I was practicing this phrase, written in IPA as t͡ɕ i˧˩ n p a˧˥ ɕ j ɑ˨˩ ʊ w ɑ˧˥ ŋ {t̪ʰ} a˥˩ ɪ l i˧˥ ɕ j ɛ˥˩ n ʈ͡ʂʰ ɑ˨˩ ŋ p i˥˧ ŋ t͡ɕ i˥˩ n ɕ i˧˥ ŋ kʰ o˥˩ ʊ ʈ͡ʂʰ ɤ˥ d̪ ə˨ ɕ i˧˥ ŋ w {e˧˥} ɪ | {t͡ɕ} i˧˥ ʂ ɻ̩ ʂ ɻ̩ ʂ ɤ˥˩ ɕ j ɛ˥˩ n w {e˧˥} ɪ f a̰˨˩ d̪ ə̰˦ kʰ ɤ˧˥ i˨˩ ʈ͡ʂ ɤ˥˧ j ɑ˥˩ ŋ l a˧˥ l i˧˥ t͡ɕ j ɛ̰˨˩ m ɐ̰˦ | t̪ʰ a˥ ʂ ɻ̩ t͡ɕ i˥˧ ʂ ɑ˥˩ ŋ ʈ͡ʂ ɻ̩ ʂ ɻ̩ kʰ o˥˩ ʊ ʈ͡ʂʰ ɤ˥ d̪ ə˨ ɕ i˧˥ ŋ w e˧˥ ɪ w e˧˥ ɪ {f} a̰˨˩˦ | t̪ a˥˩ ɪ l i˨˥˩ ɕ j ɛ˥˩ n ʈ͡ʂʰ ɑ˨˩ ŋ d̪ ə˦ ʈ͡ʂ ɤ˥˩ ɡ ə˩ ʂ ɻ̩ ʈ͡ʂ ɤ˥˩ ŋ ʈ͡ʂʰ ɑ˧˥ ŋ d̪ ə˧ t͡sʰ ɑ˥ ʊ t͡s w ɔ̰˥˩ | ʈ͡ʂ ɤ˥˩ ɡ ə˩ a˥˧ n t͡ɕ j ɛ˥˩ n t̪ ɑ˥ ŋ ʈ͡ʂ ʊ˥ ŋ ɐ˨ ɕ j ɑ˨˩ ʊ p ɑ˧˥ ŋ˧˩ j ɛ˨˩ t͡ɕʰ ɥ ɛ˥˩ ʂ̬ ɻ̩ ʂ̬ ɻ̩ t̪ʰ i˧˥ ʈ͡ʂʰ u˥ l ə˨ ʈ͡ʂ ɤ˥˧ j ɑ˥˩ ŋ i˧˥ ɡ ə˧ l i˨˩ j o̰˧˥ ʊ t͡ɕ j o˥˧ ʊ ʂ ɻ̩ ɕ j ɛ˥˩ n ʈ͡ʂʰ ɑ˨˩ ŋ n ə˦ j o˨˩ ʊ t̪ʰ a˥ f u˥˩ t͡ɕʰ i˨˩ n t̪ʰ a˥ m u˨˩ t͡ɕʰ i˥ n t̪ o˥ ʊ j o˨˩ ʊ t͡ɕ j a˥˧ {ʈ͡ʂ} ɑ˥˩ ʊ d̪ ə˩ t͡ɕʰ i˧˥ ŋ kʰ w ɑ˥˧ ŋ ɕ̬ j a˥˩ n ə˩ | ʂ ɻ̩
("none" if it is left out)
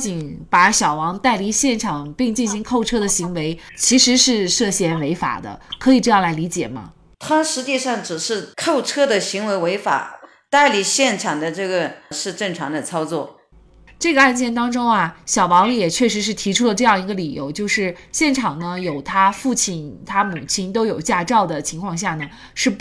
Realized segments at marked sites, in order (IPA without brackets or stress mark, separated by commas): t̪, e˧˥, t͡ɕʰ, e˧˥, f, ʈ͡ʂ